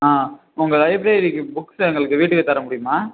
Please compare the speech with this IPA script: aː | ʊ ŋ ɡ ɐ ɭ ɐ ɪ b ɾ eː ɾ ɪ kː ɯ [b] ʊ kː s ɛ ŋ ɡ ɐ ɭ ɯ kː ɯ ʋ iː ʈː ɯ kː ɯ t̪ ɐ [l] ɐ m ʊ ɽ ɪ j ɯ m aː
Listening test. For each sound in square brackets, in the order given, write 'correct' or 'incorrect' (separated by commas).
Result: correct, incorrect